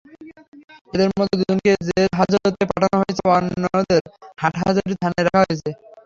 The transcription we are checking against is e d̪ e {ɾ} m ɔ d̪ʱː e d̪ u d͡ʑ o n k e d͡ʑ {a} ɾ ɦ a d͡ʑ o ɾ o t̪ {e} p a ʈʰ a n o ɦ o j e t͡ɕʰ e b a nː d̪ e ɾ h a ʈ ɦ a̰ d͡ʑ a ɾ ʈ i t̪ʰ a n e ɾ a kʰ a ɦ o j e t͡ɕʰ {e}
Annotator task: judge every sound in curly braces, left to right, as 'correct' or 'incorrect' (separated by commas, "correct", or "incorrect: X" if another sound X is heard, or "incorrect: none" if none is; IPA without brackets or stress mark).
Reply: correct, incorrect: e, correct, correct